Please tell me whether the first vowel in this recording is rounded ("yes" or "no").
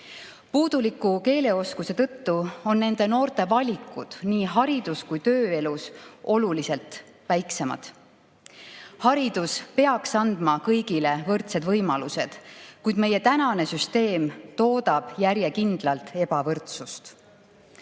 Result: yes